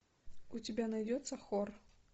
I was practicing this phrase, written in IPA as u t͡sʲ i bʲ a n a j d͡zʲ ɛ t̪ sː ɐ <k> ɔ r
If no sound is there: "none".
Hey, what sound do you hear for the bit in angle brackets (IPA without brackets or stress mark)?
x